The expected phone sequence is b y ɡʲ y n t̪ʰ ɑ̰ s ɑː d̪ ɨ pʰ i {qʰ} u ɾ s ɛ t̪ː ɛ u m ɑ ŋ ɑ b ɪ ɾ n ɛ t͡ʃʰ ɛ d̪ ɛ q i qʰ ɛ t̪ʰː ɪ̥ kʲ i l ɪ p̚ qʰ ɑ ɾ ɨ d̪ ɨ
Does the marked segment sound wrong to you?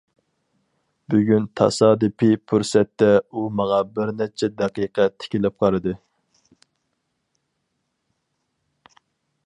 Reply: yes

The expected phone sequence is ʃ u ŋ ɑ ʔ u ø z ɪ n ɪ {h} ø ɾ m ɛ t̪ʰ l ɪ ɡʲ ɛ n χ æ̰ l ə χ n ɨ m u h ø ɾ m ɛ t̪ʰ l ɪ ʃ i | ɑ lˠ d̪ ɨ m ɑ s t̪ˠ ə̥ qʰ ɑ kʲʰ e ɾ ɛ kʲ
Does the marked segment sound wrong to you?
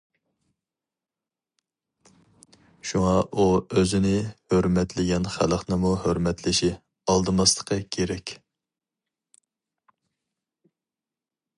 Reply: no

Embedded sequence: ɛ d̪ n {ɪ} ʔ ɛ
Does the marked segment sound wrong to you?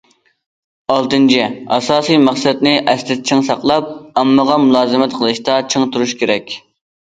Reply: no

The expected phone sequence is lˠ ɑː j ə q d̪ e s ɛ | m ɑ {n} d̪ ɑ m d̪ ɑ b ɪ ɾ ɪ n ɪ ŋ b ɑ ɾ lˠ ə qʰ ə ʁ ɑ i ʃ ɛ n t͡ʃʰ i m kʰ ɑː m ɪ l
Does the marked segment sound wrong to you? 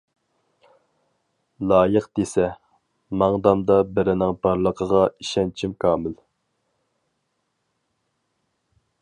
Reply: yes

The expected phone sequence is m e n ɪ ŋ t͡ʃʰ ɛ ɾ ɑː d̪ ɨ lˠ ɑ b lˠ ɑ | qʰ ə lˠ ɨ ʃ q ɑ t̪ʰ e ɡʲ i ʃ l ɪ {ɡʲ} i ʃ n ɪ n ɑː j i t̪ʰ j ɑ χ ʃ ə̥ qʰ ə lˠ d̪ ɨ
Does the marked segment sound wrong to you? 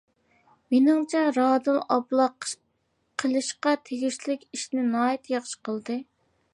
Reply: yes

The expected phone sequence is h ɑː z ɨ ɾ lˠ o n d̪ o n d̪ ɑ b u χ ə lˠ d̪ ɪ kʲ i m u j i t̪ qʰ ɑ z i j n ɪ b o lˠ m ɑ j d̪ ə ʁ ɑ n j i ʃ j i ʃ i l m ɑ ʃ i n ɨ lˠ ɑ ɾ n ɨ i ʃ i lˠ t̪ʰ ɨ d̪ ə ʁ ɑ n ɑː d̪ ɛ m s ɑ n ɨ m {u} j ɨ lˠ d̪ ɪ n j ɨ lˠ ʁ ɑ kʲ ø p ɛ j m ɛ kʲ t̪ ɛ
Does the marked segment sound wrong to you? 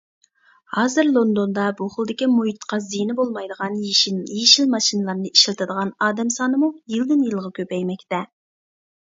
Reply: no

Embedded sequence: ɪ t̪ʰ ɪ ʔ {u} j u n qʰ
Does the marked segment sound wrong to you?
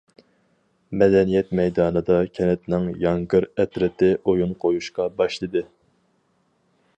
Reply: yes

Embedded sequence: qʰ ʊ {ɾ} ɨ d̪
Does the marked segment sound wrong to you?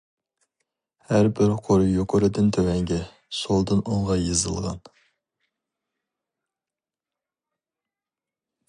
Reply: no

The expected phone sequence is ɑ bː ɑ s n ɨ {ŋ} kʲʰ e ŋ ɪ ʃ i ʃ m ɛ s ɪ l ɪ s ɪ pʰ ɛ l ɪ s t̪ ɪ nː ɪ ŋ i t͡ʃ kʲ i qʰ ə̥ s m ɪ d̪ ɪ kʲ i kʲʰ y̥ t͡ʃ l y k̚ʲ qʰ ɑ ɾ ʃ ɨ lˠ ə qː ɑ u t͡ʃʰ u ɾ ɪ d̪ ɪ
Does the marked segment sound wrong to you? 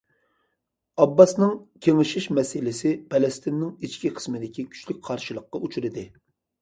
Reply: no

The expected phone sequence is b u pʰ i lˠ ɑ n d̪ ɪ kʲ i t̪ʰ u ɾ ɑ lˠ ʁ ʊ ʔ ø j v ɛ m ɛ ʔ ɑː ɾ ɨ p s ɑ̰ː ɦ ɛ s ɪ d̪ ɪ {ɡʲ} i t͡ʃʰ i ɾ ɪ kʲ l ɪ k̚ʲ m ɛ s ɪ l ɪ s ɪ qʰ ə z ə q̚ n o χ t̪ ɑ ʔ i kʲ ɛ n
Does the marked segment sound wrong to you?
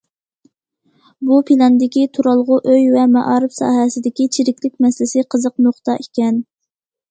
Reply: yes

